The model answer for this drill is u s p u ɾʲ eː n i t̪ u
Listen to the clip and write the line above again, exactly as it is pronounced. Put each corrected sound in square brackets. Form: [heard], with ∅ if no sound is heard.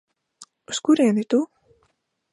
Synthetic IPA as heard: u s [k] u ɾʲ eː n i t̪ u